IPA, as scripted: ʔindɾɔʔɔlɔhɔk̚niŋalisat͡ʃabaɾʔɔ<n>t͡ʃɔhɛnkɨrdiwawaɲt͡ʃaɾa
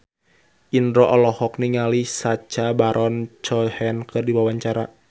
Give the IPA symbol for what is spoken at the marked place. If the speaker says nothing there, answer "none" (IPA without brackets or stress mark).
n